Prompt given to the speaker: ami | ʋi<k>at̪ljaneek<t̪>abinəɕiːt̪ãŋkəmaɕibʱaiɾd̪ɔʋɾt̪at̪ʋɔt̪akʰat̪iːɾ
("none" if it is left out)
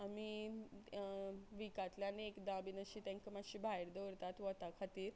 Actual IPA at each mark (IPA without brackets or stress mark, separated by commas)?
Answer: k, d̪